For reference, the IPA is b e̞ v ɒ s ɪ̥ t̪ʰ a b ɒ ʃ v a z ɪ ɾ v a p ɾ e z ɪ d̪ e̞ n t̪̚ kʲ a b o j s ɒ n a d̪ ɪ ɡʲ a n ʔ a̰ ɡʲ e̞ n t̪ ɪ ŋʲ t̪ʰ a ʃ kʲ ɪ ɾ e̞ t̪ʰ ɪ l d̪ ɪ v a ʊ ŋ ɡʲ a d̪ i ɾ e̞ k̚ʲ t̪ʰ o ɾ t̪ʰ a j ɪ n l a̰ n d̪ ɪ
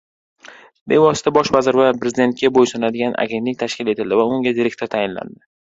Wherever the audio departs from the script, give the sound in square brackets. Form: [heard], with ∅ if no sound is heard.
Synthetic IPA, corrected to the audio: b e̞ v ɒ s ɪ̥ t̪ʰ a b ɒ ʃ v a z ɪ ɾ v a p ɾ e z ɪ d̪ e̞ n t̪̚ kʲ a b o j s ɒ n a d̪ ɪ ɡʲ a n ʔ a̰ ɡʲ e̞ n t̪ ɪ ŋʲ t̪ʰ a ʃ kʲ ɪ [l] e̞ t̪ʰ ɪ l d̪ ɪ v a ʊ ŋ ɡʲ a d̪ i ɾ e̞ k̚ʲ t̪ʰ o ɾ t̪ʰ a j ɪ n l a̰ n d̪ ɪ